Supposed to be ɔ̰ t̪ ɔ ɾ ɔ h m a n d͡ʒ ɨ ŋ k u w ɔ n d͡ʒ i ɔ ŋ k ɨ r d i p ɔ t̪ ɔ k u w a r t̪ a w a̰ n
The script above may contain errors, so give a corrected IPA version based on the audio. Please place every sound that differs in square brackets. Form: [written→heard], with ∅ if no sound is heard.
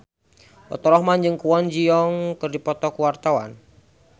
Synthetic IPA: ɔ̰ t̪ ɔ ɾ ɔ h m a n d͡ʒ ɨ ŋ k u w ɔ n d͡ʒ i ɔ ŋ k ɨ r d i p ɔ t̪ ɔ k u w a r t̪ a w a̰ n